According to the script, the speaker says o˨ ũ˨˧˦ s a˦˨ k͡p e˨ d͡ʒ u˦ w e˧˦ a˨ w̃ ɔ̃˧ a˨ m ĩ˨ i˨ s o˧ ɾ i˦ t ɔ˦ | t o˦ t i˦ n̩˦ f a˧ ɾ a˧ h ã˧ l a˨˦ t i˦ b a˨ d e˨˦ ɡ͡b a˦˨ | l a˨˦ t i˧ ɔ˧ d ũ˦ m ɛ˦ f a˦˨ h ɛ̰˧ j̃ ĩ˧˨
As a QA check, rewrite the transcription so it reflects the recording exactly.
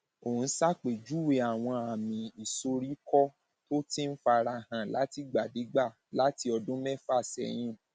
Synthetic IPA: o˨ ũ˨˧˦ s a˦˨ k͡p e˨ d͡ʒ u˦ w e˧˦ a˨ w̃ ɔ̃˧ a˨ m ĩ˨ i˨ s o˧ ɾ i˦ k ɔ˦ | t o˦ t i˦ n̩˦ f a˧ ɾ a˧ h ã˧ l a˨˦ t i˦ ɡ͡b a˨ d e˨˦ ɡ͡b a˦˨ | l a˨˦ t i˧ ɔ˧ d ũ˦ m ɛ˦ f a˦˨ s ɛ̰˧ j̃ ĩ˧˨

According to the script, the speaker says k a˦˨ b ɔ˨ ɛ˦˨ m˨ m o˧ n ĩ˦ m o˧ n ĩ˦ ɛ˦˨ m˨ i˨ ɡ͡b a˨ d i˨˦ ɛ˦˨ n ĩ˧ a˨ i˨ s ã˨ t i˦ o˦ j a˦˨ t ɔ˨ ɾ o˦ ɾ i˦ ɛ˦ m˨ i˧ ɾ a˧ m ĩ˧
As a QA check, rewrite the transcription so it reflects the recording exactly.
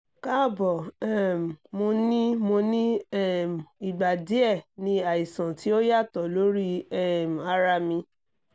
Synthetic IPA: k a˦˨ b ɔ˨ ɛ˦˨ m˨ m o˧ n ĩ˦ m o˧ n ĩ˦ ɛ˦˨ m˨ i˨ ɡ͡b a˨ d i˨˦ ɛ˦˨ n ĩ˧ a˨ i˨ s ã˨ t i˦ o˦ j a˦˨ t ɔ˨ l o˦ ɾ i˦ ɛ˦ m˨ a˧ ɾ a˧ m ĩ˧

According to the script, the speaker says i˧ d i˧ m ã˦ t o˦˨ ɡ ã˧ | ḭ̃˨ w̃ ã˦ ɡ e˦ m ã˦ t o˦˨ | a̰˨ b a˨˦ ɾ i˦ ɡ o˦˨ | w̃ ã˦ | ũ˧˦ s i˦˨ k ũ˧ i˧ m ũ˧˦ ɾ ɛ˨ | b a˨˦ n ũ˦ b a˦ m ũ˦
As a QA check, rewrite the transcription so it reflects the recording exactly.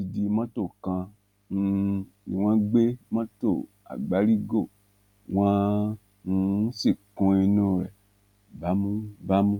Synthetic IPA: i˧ d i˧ m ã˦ t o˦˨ k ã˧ | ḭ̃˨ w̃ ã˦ ɡ͡b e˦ m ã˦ t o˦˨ | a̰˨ ɡ͡b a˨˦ ɾ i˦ ɡ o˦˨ | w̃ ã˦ | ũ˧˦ s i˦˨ k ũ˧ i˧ n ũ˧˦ ɾ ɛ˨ | b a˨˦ m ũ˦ b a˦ m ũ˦

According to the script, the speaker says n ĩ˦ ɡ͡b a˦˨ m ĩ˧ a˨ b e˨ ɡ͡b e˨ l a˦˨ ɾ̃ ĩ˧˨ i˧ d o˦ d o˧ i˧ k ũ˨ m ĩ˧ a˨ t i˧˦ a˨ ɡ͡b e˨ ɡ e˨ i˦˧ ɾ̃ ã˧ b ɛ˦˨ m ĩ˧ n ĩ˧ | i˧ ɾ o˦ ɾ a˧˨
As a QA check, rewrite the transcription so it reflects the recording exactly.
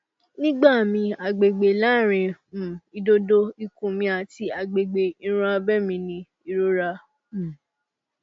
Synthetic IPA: n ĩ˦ ɡ͡b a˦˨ m ĩ˧ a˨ ɡ͡b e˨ ɡ͡b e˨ l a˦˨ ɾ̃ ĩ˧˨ i˧ d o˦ d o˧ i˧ k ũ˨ m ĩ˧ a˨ t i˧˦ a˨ ɡ͡b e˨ ɡ͡b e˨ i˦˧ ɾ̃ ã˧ b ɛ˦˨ m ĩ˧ n ĩ˧ | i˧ ɾ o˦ ɾ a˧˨

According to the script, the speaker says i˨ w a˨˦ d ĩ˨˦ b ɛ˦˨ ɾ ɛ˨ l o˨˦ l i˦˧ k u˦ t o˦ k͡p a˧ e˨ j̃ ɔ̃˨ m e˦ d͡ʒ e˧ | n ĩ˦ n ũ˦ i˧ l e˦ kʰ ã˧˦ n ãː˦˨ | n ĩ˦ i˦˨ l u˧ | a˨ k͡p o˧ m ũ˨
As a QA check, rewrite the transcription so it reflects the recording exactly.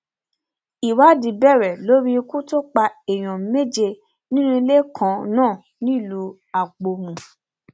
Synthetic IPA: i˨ w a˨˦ d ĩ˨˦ b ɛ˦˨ ɾ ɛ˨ l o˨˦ ɾ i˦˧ k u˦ t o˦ k͡p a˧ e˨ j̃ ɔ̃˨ m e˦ d͡ʒ e˧ | n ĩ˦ n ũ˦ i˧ l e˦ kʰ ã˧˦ n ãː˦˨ | n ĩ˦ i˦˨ l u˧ | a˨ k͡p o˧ m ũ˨

